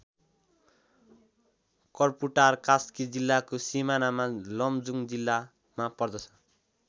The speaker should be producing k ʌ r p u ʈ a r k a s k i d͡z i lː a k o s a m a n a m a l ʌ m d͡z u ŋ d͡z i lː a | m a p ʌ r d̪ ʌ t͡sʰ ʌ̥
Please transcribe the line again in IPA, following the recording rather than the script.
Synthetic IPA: k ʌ r p u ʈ a r k a s k i d͡z i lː a k o s i m a n a m a l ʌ m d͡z u ŋ d͡z i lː a | m a p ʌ r d̪ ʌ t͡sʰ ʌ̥